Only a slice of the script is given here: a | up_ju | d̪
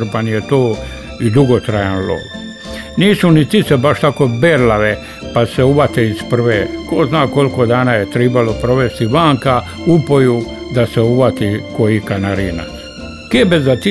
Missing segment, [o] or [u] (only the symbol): o